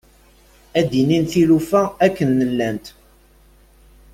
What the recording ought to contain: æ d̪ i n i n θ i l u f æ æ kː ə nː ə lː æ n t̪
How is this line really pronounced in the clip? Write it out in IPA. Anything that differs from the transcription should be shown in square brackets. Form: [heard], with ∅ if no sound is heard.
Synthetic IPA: æ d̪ i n i n θ i l u f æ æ kː ə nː ə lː æ n t̪